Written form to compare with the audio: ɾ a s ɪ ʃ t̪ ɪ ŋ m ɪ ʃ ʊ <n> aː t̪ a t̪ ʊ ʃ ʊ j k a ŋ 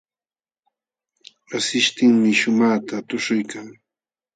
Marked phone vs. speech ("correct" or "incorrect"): incorrect